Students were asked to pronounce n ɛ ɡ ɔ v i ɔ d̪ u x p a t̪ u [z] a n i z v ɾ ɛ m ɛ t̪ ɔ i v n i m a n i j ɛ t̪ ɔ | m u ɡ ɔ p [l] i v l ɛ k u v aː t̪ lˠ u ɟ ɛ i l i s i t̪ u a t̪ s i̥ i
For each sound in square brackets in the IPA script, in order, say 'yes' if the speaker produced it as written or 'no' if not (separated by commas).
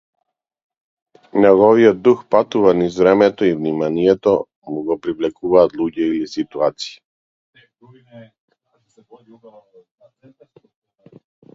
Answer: no, no